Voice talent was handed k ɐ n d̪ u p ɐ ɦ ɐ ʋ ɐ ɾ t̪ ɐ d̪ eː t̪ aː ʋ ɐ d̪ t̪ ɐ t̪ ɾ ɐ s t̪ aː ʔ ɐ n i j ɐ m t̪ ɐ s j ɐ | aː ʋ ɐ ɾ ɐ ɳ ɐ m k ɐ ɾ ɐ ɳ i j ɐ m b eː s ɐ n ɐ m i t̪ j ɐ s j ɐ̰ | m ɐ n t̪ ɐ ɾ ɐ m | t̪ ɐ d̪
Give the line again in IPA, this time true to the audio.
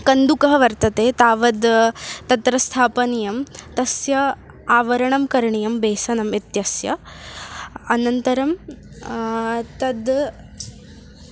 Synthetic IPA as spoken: k ɐ n d̪ u k ɐ ɦ ɐ ʋ ɐ ɾ t̪ ɐ t̪ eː t̪ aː ʋ ɐ d̪ t̪ ɐ t̪ ɾ ɐ s t̪ʰ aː p ɐ n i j ɐ m t̪ ɐ s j ɐ | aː ʋ ɐ ɾ ɐ ɳ ɐ m k ɐ ɾ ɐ ɳ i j ɐ m b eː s ɐ n ɐ m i t̪ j ɐ s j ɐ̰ | n ɐ n t̪ ɐ ɾ ɐ m | t̪ ɐ d̪

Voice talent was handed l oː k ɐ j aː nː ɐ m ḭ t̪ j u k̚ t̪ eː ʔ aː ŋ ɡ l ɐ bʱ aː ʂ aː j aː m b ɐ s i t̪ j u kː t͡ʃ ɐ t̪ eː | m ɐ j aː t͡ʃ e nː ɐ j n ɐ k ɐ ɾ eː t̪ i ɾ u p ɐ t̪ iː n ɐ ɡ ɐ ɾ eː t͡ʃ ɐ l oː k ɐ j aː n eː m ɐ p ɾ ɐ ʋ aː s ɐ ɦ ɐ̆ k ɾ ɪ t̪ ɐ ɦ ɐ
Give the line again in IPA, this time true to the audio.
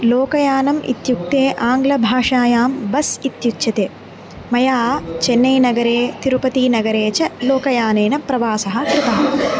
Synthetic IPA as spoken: l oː k ɐ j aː n ɐ m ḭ t̪ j u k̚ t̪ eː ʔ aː ŋ ɡ l ɐ bʱ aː ʂ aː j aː m b ɐ s i t̪ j u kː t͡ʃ ɐ t̪ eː | m ɐ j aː t͡ʃ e nː ɐ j n ɐ ɡ ɐ ɾ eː t̪ i ɾ u p ɐ t̪ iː n ɐ ɡ ɐ ɾ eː t͡ʃ ɐ l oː k ɐ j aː n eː n ɐ p ɾ ɐ ʋ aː s ɐ ɦ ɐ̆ k ɾ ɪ t̪ ɐ ɦ ɐ

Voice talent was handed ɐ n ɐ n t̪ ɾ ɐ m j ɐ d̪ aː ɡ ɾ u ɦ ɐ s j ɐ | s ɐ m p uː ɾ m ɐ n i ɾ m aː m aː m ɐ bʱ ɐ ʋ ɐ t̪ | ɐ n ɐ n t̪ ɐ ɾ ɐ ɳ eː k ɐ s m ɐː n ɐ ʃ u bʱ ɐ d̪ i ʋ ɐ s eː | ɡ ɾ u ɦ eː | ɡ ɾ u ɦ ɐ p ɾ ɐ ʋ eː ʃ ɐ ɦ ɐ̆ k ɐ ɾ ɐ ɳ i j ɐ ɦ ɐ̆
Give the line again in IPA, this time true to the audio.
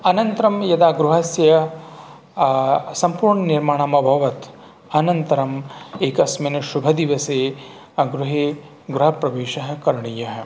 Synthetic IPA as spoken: ɐ n ɐ n t̪ ɾ ɐ m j ɐ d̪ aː ɡ ɾ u ɦ ɐ s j ɐ | s ɐ m p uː ɾ ɳ ɐ n i ɾ m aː ɳ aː m ɐ bʱ ɐ ʋ ɐ t̪ | ɐ n ɐ n t̪ ɐ ɾ ɐ m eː k ɐ s m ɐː n ɐ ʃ u bʱ ɐ d̪ i ʋ ɐ s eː | ɡ ɾ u ɦ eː | ɡ ɾ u ɦ ɐ p ɾ ɐ ʋ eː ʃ ɐ ɦ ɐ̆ k ɐ ɾ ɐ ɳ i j ɐ ɦ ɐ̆

